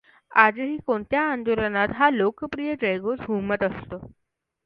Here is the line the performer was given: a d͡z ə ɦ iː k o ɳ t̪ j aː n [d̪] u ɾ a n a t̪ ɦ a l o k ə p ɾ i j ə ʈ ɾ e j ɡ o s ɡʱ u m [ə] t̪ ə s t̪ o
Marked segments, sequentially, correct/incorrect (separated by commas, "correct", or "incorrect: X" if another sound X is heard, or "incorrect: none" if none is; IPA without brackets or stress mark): correct, correct